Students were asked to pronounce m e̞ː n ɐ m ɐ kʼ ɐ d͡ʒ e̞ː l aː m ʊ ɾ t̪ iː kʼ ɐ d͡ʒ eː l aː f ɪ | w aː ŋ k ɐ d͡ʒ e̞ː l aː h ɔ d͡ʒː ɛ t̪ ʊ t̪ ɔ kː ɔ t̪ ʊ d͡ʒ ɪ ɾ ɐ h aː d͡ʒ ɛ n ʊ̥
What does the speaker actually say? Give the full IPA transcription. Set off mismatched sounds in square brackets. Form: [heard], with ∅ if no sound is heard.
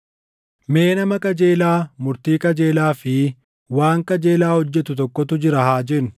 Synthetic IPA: m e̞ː n ɐ m ɐ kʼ ɐ d͡ʒ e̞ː l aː m ʊ ɾ t̪ iː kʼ ɐ d͡ʒ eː l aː f ɪ | w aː ŋ k ɐ d͡ʒ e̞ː l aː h ɔ d͡ʒː ɛ t̪ ʊ t̪ ɔ kː ɔ t̪ ʊ d͡ʒ ɪ ɾ ɐ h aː d͡ʒ ɛ n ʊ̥